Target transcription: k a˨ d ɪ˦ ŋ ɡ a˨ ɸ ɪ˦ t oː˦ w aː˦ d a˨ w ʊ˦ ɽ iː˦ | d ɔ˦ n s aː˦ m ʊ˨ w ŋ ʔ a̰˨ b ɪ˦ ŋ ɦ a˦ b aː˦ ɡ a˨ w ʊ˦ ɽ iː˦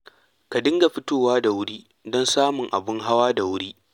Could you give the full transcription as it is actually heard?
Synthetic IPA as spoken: k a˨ d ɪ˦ ŋ ɡ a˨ ɸ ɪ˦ t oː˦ w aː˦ d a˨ w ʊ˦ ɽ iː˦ | d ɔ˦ n s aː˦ m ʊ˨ ŋ ʔ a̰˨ b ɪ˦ ŋ ɦ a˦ w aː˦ d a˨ w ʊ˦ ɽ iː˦